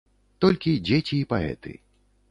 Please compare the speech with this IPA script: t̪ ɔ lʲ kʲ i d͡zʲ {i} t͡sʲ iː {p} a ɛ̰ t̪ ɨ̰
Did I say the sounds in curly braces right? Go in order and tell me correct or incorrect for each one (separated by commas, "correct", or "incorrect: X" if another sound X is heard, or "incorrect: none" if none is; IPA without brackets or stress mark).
incorrect: e, correct